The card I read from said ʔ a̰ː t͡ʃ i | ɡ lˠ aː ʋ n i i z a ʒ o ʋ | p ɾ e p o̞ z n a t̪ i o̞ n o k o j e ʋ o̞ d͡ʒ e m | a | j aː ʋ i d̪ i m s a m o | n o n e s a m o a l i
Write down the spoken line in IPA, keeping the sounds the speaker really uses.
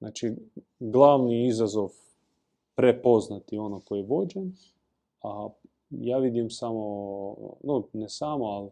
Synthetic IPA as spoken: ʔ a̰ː t͡ʃ i | ɡ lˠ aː ʋ n i i z a z o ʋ | p ɾ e p o̞ z n a t̪ i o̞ n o k o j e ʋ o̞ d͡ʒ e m | a | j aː ʋ i d̪ i m s a m o | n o n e s a m o a l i